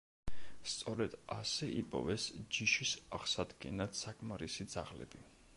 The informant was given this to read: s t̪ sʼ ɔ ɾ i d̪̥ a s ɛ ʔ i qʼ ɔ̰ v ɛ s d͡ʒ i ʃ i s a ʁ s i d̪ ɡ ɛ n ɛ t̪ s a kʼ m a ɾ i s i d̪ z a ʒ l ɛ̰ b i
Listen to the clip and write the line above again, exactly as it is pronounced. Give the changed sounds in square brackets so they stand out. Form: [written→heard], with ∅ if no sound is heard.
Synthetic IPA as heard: s t̪ sʼ ɔ ɾ [i→ɛ] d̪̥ a s ɛ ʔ i [qʼ→pʼ] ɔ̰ v ɛ s d͡ʒ i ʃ i s a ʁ s [i→a] d̪ ɡ ɛ n [ɛ→a] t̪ s a kʼ m a ɾ i s i d̪ z a [ʒ→ʁ] l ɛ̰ b i